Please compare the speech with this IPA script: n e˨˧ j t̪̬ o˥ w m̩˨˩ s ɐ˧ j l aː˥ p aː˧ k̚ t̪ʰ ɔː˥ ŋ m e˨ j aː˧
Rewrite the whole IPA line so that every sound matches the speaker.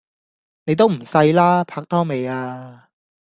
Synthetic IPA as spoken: n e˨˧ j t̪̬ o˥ w m̩˨˩ s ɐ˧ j l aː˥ pʰ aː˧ k̚ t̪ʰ ɔː˥ ŋ m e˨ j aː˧